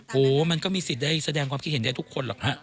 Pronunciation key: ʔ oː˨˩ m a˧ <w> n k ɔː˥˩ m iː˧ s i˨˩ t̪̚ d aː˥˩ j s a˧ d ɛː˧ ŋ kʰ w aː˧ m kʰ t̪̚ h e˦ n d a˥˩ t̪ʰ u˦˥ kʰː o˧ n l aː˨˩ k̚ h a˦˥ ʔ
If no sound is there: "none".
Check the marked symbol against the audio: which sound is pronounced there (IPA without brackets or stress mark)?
none